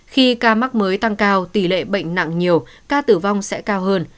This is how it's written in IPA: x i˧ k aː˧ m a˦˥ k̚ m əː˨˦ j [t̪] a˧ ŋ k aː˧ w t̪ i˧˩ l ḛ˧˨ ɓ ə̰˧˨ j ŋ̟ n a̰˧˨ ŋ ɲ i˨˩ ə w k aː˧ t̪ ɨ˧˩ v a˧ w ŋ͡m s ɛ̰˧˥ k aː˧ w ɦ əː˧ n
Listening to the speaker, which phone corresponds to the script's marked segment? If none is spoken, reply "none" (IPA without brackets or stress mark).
t̪